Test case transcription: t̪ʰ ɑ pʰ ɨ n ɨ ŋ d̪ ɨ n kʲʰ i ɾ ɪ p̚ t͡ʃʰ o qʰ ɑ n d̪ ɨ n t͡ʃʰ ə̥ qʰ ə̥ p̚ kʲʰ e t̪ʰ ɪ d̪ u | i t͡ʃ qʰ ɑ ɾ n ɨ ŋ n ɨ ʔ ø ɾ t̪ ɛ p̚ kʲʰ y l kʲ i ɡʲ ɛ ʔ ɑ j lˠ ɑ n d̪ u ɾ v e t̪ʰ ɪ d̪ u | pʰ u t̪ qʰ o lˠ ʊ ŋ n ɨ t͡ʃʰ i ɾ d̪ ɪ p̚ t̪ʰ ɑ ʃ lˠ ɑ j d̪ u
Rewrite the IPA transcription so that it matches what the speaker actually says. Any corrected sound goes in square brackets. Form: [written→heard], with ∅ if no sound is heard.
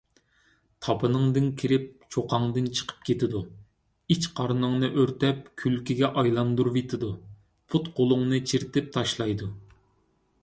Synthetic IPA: t̪ʰ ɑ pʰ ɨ n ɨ ŋ d̪ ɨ n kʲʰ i ɾ ɪ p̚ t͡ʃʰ o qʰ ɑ [n→ŋ] d̪ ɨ n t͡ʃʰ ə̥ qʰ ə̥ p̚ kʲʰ e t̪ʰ ɪ d̪ u | i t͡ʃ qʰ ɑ ɾ n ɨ ŋ n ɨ ʔ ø ɾ t̪ ɛ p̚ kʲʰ y l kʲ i ɡʲ ɛ ʔ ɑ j lˠ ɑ n d̪ u ɾ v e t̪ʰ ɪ d̪ u | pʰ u t̪ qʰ o lˠ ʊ ŋ n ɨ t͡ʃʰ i ɾ [d̪→t̪] ɪ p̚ t̪ʰ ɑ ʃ lˠ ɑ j d̪ u